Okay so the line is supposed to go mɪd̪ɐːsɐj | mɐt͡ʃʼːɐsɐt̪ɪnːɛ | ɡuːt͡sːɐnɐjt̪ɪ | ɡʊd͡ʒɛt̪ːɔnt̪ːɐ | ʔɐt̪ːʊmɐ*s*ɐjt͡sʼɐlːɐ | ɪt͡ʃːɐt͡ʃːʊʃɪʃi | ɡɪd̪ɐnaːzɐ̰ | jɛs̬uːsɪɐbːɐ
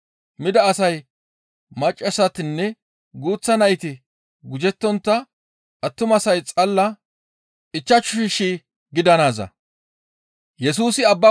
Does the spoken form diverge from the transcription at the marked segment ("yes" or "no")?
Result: no